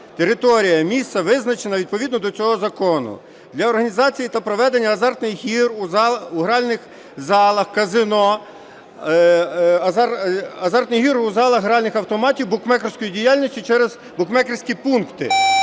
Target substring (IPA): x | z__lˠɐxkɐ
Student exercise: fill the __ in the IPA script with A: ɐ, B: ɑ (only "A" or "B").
B